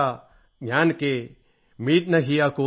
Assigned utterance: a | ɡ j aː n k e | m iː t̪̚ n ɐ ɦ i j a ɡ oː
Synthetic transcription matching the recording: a | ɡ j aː n k e | m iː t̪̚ n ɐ ɦ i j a k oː